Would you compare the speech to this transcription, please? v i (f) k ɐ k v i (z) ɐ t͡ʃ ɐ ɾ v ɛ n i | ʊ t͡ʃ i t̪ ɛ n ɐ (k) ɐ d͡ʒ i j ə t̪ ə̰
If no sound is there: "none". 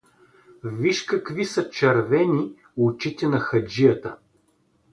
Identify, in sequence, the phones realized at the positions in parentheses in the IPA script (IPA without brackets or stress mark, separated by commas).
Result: ʃ, s, x